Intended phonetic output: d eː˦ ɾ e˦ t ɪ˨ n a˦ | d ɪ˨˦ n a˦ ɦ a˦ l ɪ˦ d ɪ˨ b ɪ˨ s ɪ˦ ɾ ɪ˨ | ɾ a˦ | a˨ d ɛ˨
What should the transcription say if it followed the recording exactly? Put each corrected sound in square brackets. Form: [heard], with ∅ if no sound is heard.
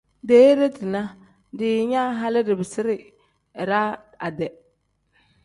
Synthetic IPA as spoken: d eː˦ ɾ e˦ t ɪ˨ n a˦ | d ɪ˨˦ [ɲ] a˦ ɦ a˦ l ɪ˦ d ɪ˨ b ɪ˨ s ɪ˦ ɾ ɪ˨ | ɾ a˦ | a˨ d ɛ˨

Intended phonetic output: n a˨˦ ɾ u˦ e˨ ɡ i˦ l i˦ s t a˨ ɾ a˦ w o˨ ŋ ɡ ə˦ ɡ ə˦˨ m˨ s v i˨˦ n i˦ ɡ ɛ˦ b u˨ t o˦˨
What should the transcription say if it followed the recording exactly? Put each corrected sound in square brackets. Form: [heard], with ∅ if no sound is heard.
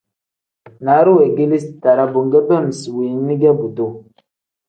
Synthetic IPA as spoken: n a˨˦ ɾ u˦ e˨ ɡ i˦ l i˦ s t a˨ ɾ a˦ [b] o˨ ŋ ɡ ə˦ [b] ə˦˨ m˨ s [w] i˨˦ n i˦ ɡ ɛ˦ b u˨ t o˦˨

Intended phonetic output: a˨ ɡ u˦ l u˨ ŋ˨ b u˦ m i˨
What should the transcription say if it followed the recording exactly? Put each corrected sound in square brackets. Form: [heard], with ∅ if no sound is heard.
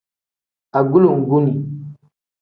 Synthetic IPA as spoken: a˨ ɡ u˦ l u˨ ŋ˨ [ɡ] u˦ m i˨

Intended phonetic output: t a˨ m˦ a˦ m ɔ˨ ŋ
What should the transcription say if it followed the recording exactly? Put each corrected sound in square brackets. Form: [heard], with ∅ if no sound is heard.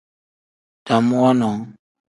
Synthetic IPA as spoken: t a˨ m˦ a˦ [n] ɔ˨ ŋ

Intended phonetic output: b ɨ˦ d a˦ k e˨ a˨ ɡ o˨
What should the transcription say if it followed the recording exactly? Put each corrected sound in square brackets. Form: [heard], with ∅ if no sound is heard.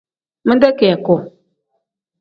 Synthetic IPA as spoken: [m] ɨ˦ d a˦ k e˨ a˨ [k] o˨

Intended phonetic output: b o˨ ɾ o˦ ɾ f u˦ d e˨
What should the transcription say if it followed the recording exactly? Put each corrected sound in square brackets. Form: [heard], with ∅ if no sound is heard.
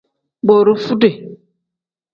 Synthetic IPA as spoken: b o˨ ɾ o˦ [∅] f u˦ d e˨

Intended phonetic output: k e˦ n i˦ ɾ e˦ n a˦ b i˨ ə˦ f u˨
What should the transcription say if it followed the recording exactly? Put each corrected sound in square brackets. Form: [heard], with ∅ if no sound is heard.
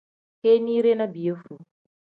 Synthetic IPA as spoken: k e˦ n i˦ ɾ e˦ n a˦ b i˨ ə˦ f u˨

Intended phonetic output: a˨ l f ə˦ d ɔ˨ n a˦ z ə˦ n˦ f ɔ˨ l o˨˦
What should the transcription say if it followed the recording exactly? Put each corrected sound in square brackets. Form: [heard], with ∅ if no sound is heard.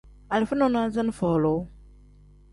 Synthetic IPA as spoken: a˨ l f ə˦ [n] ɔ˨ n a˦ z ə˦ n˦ f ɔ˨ l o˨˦

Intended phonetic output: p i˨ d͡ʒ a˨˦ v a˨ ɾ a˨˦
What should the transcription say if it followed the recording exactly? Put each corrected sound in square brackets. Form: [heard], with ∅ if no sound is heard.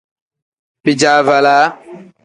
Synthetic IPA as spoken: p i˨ d͡ʒ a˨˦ v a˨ [l] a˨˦

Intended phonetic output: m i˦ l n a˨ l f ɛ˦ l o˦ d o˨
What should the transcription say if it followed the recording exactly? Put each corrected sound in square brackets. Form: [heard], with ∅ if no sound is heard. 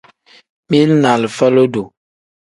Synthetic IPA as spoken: m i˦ l n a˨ l f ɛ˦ l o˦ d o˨

